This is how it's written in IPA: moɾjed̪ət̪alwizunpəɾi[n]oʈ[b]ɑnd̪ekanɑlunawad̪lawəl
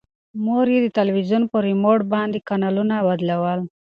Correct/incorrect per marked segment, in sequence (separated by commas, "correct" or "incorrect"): incorrect, correct